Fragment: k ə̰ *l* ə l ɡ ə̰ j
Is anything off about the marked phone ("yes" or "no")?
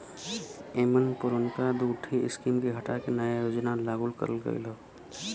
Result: yes